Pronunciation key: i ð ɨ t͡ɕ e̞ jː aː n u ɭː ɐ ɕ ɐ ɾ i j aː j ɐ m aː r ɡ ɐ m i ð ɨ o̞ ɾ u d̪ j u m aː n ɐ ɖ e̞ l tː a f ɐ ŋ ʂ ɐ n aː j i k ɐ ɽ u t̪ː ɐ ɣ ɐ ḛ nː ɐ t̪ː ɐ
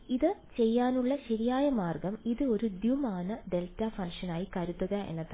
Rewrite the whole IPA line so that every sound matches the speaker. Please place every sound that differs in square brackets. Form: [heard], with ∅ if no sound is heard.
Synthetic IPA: i ð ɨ t͡ɕ e̞ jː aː n u ɭː ɐ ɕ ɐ ɾ i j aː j ɐ m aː r ɡ ɐ m i ð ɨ o̞ ɾ u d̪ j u m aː n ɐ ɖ e̞ l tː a f ɐ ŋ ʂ ɐ n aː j i k ɐ [ɾ] u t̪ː ɐ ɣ ɐ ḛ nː ɐ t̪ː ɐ